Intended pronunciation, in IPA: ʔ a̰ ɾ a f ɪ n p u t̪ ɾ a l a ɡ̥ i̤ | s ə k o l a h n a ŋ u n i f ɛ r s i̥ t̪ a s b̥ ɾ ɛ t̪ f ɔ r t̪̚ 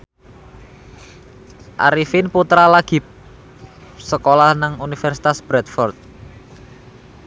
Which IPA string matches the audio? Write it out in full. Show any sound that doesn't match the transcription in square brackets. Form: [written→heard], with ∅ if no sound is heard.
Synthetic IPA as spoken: ʔ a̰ ɾ [a→i] f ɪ n p u t̪ ɾ a l a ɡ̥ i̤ | s ə k o l a h n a ŋ u n i f ɛ r s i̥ t̪ a s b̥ ɾ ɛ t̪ f ɔ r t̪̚